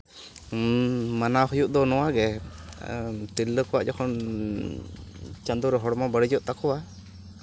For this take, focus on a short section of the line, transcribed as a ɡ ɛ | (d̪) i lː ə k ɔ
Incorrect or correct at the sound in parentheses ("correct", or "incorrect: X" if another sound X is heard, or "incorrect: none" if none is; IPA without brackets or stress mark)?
incorrect: t̪